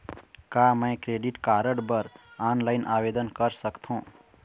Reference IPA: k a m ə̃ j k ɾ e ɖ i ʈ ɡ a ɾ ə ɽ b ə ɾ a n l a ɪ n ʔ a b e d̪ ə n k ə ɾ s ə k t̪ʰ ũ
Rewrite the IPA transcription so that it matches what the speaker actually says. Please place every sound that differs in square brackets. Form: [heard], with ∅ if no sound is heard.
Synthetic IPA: k a m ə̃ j k ɾ e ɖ i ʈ [k] a ɾ ə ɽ b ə ɾ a n l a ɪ n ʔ a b e d̪ ə n k ə ɾ s ə k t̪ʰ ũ